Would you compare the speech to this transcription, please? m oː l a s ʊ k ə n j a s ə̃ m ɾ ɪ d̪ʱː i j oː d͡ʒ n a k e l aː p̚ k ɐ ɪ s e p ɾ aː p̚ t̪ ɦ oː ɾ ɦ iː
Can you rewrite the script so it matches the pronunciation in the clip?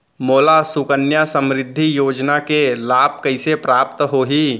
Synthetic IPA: m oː l a s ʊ k ə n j a s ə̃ m ɾ ɪ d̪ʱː i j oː d͡ʒ n a k e l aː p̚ k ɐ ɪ s e p ɾ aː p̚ t̪ ɦ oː ɦ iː